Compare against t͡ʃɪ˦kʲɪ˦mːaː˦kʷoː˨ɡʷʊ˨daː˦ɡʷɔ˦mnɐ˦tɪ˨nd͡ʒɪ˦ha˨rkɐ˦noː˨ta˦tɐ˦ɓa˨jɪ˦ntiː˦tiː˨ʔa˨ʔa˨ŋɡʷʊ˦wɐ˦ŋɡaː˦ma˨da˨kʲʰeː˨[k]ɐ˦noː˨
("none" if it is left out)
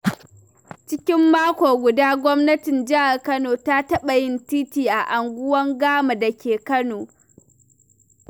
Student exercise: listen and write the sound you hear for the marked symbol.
k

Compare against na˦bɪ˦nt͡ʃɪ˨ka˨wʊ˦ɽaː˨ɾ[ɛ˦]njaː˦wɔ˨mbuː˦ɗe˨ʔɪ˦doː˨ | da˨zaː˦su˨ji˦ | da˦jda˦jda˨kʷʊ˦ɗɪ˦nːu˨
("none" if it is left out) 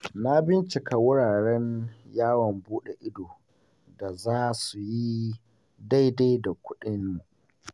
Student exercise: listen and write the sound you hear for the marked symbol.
ɛ˦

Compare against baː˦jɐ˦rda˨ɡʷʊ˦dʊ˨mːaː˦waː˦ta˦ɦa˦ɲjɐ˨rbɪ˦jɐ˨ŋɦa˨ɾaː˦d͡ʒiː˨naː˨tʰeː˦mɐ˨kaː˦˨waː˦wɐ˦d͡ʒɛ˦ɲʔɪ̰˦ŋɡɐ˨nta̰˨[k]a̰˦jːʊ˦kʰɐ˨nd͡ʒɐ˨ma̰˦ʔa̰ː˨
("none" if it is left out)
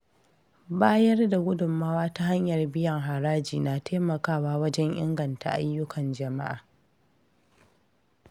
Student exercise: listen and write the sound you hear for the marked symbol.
ʔ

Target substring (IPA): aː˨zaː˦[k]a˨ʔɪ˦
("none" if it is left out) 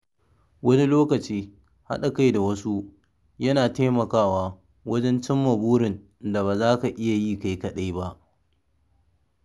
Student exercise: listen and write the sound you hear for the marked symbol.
k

